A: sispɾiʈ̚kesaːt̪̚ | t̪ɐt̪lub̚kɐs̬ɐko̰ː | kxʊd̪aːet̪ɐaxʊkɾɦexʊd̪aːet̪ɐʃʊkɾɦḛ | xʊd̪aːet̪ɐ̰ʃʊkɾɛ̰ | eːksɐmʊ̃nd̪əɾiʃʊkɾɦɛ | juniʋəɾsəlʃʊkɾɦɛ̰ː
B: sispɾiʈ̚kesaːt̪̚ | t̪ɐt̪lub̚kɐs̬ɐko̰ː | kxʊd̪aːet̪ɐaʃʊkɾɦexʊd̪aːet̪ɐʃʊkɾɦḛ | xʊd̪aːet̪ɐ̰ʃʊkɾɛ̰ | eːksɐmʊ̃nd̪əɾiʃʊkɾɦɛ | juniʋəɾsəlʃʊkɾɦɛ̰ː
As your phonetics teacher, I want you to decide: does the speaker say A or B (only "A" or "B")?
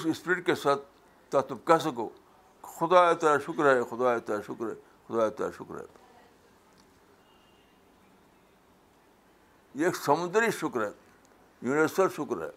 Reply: B